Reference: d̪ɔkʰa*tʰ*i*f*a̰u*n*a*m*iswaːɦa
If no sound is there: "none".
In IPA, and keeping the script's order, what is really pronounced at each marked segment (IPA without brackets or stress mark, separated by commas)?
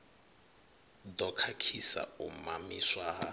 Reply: kʰ, s, m, m